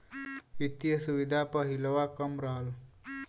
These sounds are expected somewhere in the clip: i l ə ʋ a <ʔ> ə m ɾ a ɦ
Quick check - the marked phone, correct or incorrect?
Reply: incorrect